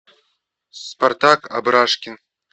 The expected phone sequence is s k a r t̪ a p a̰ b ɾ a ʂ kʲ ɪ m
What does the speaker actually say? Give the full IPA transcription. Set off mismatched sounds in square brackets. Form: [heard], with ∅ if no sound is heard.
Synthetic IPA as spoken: s [p] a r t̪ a [k] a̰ b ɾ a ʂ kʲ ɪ [n]